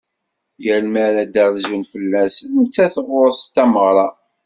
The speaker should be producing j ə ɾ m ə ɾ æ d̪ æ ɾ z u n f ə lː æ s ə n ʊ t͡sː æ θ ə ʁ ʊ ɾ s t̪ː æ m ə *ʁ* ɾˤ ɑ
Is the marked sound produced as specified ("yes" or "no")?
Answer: yes